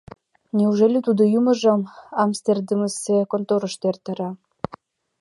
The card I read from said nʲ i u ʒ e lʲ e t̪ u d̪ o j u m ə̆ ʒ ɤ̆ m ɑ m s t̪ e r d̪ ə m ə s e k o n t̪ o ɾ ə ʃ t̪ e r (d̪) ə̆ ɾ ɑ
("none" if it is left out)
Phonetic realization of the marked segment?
t̪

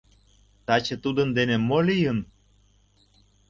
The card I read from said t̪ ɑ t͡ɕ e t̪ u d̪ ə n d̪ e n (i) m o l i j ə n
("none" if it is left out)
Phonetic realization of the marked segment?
e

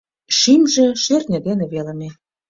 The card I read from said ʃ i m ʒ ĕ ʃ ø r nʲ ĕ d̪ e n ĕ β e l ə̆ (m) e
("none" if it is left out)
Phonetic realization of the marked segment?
m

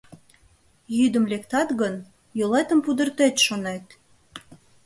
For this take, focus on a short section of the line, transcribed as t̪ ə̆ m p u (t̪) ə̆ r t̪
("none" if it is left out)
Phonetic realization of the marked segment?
d̪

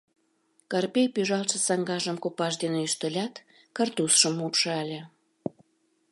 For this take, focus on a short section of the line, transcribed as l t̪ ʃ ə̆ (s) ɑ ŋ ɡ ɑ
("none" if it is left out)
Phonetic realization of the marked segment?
s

